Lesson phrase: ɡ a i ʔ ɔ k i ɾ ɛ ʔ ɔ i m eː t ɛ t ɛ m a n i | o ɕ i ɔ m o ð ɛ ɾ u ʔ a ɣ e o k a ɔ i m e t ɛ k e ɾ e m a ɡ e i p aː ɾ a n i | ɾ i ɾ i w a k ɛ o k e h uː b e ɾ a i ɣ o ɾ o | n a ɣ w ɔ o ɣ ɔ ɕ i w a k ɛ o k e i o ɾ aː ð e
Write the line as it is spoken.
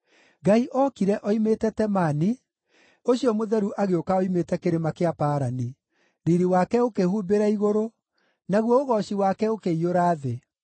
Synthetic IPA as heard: ɡ a i ʔ ɔ k i ɾ ɛ ʔ ɔ i m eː t ɛ t ɛ m a n i | o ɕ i ɔ m o ð ɛ ɾ u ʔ a ɣ e o k a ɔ i m e t ɛ k e ɾ e m a k e a p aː ɾ a n i | ɾ i ɾ i w a k ɛ o k e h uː b e ɾ a i ɣ o ɾ o | n a ɣ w ɔ o ɣ ɔ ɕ i w a k ɛ o k e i o ɾ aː ð e